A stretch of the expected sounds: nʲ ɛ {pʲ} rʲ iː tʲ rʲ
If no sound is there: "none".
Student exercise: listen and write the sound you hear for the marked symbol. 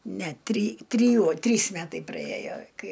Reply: tʲ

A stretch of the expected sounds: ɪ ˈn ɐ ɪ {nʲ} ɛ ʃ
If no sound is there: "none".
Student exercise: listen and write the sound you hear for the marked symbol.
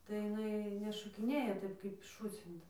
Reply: nʲ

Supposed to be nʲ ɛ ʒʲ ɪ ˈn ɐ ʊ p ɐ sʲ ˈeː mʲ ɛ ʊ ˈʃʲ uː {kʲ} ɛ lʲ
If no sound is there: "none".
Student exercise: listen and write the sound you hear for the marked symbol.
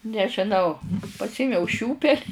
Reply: pʲ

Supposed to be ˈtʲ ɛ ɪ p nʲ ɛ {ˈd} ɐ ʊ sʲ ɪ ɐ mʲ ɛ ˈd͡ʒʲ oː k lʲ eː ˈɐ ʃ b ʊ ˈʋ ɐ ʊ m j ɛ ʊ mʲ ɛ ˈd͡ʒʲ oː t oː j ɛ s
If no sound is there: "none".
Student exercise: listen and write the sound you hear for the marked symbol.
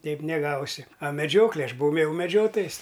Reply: ɡ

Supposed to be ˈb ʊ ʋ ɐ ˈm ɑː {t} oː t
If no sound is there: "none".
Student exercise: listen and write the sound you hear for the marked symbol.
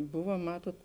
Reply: t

